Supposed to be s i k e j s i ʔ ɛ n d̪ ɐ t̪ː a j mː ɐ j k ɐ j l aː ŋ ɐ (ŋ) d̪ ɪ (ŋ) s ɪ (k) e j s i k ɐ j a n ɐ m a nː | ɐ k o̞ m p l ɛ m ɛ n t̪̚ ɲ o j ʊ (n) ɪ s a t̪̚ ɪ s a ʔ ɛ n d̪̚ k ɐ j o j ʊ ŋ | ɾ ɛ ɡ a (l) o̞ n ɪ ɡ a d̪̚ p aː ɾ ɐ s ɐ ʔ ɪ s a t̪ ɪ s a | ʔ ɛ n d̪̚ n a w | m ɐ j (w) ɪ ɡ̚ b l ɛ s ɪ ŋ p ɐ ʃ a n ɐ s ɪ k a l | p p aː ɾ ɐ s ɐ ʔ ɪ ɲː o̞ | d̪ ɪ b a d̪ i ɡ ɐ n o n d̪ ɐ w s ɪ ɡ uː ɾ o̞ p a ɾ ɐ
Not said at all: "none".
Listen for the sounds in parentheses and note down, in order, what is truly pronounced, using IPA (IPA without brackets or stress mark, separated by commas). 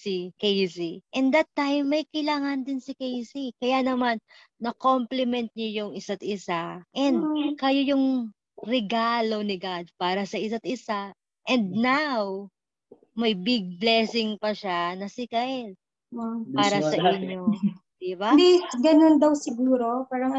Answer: n, n, k, ŋ, l, b